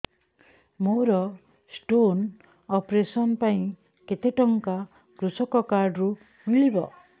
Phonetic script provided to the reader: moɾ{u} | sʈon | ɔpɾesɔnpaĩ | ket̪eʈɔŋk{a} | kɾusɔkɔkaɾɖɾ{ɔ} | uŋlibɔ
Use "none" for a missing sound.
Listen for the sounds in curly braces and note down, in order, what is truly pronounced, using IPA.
ɔ, a, u

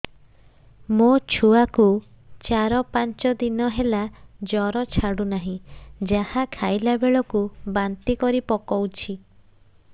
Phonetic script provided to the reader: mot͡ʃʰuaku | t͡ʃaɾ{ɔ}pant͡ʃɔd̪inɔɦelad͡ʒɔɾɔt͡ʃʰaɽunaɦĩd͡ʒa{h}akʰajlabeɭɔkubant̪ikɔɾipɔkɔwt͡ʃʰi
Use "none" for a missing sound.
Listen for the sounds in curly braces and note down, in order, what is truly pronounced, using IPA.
ɔ, h

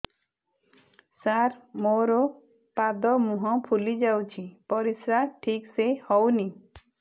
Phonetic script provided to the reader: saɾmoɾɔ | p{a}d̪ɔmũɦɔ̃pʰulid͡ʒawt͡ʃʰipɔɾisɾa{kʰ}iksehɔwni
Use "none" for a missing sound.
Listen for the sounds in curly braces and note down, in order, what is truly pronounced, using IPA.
a, ʈʰ

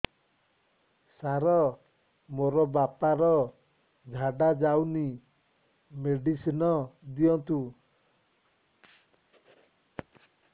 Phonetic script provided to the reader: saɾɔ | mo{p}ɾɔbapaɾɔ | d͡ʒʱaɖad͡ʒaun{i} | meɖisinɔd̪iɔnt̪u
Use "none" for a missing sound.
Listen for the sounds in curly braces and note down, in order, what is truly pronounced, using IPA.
none, i

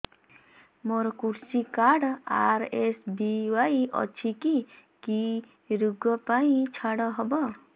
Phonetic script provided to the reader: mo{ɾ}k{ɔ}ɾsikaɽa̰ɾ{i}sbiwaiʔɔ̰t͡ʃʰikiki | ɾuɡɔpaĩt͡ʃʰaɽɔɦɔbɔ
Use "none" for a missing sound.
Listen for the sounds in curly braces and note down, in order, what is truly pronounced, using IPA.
ɾ, u, e

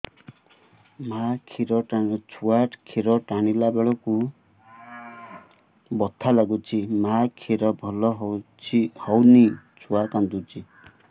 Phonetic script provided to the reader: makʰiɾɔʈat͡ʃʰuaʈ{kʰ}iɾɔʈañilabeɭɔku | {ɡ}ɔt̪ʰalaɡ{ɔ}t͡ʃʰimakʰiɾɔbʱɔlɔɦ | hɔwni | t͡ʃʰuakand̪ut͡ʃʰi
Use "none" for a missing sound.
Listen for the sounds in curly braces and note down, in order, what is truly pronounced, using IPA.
kʰ, b, u

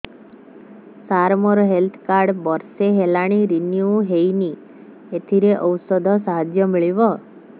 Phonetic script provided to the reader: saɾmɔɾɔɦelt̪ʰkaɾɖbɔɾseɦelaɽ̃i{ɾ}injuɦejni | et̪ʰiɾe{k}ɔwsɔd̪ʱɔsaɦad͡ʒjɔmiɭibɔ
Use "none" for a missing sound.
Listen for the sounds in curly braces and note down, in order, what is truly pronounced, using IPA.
ɾ, ʔ

